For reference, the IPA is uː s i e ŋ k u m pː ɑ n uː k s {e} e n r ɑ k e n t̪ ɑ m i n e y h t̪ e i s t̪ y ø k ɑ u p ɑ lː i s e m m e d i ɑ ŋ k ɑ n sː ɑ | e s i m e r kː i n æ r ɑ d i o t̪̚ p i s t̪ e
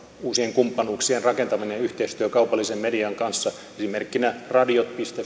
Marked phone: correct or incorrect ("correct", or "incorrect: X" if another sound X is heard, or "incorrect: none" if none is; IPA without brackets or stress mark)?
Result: incorrect: i